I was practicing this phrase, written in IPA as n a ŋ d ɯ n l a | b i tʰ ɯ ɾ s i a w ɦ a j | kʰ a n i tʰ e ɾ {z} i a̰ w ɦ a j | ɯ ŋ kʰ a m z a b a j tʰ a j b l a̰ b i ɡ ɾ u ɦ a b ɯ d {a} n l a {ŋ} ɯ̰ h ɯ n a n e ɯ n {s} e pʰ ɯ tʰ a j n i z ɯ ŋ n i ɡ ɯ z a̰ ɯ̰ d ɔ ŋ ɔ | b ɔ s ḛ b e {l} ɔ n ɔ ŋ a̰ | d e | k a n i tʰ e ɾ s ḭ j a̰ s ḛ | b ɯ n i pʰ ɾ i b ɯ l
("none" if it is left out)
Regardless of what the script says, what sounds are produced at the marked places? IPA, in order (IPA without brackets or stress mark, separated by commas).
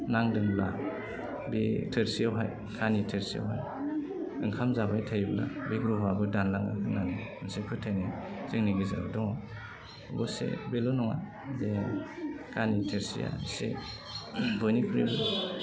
s, a, ŋ, s, l